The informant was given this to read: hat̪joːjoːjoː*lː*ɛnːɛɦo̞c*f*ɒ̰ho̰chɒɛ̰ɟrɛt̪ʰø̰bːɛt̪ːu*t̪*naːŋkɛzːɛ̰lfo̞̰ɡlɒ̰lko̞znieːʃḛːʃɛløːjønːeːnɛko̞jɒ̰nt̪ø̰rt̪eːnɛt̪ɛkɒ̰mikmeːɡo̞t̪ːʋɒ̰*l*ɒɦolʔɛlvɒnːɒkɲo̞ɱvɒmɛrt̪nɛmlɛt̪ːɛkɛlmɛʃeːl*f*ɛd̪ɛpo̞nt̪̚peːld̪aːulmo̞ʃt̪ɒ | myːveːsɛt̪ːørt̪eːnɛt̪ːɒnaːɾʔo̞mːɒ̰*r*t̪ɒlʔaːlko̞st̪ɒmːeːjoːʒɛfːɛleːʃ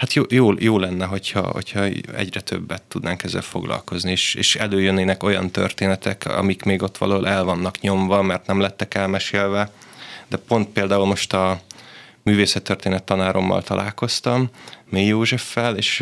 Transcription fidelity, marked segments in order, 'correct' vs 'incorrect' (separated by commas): incorrect, incorrect, incorrect, correct, incorrect, incorrect